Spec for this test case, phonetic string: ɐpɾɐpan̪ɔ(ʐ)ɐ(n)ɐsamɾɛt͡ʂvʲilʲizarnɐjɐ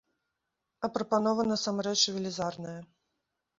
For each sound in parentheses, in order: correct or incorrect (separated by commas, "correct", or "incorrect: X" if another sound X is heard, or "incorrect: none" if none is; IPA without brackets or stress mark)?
incorrect: v, correct